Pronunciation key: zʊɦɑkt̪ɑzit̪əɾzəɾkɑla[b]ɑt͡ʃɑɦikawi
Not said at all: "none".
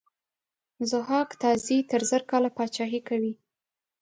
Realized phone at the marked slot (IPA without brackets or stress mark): p